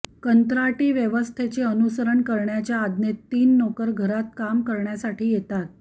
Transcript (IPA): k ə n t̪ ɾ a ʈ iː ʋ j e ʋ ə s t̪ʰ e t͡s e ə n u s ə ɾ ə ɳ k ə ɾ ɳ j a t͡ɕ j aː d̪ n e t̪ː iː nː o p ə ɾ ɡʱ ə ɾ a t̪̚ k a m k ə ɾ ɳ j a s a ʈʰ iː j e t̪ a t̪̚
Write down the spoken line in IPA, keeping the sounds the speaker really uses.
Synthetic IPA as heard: k ə n t̪ ɾ a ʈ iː ʋ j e ʋ ə s t̪ʰ e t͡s e ə n u s ə ɾ ə ɳ k ə ɾ ɳ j a t͡ɕ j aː d̪ n e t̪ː iː nː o k ə ɾ ɡʱ ə ɾ a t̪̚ k a m k ə ɾ ɳ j a s a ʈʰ iː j e t̪ a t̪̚